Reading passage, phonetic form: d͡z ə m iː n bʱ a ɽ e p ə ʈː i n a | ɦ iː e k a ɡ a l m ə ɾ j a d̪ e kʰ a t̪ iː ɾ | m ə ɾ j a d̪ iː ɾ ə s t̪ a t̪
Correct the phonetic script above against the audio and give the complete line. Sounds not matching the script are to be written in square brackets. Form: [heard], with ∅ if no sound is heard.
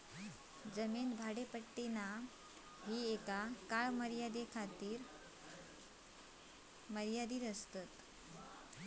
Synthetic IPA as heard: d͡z ə m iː n bʱ a ɽ e p ə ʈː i n a | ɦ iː e k a [k] a [ɭ] m ə ɾ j a d̪ e kʰ a t̪ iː ɾ | m ə ɾ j a d̪ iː ɾ ə s t̪ a t̪